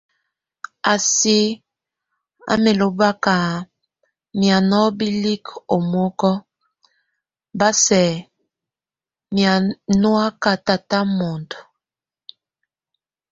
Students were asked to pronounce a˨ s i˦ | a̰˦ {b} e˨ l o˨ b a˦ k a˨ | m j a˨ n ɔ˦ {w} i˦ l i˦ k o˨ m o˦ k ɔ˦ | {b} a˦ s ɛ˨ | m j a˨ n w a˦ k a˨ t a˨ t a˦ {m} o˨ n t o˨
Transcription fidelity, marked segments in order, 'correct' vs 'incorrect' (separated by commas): incorrect, incorrect, correct, correct